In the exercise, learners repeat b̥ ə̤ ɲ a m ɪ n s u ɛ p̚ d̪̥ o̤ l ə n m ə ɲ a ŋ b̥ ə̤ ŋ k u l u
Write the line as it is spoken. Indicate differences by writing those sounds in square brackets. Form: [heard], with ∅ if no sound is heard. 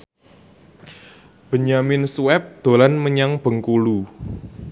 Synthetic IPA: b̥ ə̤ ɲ a m ɪ n s u ɛ p̚ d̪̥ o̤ l [a] n m ə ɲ a ŋ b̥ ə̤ ŋ k u l u